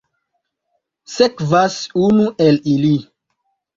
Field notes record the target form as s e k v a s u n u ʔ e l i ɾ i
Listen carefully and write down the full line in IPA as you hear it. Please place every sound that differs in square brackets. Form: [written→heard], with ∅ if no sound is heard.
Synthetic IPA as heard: s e k v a s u n u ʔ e l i [ɾ→l] i